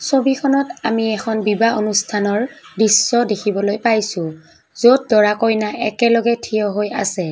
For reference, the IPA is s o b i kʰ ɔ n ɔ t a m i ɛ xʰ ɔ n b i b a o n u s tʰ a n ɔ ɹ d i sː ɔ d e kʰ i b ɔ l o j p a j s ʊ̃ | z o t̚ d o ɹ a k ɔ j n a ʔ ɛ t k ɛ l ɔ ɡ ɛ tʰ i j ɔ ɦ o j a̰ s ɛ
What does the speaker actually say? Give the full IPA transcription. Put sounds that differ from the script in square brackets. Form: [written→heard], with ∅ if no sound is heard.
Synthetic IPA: s o b i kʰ ɔ n ɔ t a m i ɛ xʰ ɔ n b i b a o n u s tʰ a n ɔ ɹ d i sː ɔ d e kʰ i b ɔ l o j p a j s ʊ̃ | z o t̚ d [o→ɔ] ɹ a k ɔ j n a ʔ ɛ [t→∅] k ɛ l ɔ ɡ ɛ tʰ i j ɔ ɦ o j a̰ s ɛ